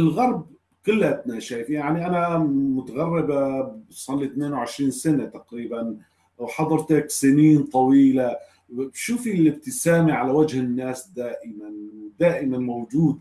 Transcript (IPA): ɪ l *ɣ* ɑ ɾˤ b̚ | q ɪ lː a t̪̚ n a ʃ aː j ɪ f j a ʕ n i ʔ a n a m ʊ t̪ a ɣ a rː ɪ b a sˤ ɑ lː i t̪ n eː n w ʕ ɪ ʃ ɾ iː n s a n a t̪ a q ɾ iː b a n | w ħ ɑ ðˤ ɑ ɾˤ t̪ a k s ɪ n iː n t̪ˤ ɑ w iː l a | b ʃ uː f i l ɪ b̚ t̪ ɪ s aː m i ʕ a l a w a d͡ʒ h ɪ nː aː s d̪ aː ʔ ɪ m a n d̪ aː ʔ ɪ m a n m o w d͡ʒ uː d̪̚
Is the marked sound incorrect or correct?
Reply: correct